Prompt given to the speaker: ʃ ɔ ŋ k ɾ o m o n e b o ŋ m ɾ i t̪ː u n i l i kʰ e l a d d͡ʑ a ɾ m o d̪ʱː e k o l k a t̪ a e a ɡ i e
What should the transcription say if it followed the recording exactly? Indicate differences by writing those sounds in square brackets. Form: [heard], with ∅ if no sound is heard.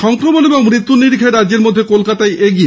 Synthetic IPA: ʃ ɔ ŋ k ɾ o m o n e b o ŋ m ɾ i t̪ː u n i [ɾ] i kʰ e [ɾ] a d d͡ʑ [e] ɾ m o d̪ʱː e k o l k a t̪ a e [e] ɡ i e

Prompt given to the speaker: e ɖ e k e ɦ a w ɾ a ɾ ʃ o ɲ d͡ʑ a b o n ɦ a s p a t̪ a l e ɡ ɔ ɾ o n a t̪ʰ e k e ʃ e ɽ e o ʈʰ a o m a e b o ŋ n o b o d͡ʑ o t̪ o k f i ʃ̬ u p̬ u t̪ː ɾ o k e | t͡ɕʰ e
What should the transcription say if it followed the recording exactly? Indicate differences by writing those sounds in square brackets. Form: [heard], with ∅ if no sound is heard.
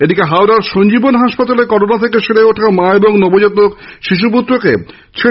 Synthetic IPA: e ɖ [i] k e ɦ a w ɾ a ɾ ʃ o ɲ d͡ʑ [i] b o n ɦ a [ʃ] p a t̪ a l e [k] ɔ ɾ o n a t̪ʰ e k e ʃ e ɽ e o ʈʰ a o m a e b o ŋ n o b o d͡ʑ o t̪ o k [ʃ] i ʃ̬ u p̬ u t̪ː ɾ o k e | t͡ɕʰ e

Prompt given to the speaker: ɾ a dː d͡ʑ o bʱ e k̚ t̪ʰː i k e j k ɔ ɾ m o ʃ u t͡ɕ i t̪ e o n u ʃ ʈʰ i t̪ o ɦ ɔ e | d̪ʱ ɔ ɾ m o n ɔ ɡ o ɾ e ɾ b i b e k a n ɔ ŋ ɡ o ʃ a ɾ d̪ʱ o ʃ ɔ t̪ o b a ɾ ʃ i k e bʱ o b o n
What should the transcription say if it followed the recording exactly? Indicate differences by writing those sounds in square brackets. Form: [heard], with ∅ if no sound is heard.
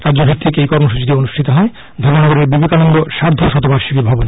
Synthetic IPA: ɾ a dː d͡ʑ o bʱ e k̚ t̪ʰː i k e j k ɔ ɾ m o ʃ u t͡ɕ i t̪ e o n u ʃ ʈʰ i t̪ o ɦ ɔ e | d̪ʱ ɔ ɾ m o n ɔ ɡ o ɾ e ɾ b i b e k a n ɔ ŋ ɡ o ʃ a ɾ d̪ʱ o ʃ ɔ t̪ o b a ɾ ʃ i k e bʱ [ɔ] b o n

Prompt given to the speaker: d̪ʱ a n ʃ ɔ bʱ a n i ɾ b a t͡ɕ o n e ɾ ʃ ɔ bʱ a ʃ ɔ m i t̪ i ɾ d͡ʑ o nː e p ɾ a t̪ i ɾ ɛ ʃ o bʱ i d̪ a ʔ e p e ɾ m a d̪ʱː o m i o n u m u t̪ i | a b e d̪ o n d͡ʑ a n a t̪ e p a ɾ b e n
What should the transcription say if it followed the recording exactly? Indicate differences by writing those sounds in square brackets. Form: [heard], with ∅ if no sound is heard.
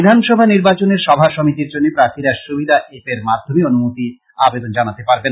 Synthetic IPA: d̪ʱ a n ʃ ɔ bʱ a n i ɾ b a t͡ɕ o n e ɾ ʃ ɔ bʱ a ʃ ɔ m i t̪ i ɾ d͡ʑ o nː e p ɾ a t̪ i ɾ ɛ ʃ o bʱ i d̪ a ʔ e p e ɾ m a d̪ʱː o m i o n u m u t̪ i | a b e d̪ o n d͡ʑ a n a t̪ e p a ɾ b e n

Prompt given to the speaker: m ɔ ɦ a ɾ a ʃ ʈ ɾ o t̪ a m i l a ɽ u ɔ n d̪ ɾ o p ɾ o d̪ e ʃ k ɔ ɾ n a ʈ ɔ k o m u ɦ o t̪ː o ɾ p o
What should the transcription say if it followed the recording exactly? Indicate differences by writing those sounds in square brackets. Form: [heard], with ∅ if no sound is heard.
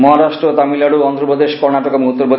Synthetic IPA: m ɔ ɦ a ɾ a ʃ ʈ ɾ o t̪ a m i l a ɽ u ɔ n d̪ ɾ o p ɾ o d̪ e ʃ k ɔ ɾ n a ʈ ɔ k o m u ɦ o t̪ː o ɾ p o

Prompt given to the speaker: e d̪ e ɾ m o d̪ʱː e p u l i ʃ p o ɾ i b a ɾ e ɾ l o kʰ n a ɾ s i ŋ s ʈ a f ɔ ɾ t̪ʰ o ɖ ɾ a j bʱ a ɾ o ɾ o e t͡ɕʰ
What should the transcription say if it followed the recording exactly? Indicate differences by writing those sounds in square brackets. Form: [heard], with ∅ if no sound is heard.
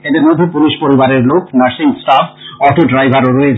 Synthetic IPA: e d̪ e ɾ m o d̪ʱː e p u l i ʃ p o ɾ i b a ɾ e ɾ l o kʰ n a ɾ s i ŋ s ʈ a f ɔ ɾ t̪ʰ o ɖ ɾ a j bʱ a ɾ o ɾ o e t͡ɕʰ

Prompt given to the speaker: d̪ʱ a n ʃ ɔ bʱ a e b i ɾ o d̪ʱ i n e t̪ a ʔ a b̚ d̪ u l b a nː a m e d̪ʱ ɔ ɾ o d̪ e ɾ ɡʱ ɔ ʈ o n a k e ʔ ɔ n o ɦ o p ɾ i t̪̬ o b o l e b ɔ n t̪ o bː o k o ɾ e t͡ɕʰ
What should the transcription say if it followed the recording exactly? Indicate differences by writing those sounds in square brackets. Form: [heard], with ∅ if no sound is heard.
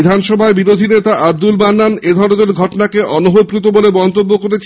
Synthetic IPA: d̪ʱ a n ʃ ɔ bʱ a e b i ɾ o d̪ʱ i n e t̪ a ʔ a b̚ d̪ u l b a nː a [n] e d̪ʱ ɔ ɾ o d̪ e ɾ ɡʱ ɔ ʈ o n a k e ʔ ɔ n o ɦ o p ɾ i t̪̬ o b o l e b ɔ n t̪ o bː o k o ɾ e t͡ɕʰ

